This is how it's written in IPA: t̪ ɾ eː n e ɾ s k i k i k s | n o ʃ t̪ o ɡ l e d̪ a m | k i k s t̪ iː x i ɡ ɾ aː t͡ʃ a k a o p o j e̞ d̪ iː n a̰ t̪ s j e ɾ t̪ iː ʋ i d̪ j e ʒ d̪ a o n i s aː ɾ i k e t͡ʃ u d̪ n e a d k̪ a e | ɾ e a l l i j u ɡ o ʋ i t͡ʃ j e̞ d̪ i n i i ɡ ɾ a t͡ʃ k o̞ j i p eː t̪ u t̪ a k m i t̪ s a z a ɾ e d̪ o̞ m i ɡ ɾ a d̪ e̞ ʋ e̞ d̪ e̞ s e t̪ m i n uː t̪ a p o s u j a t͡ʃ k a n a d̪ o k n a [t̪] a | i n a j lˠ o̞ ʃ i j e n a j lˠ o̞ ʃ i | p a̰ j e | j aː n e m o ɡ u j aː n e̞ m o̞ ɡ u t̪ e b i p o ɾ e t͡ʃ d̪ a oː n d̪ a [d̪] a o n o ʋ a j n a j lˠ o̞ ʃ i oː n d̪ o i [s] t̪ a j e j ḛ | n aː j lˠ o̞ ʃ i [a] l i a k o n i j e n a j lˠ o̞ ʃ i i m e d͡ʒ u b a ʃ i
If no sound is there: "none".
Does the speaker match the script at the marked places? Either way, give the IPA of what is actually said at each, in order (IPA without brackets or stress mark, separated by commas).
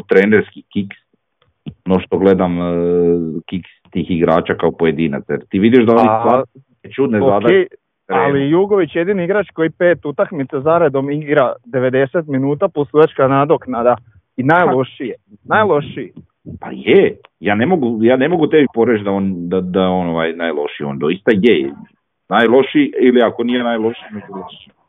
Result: d̪, d̪, s, i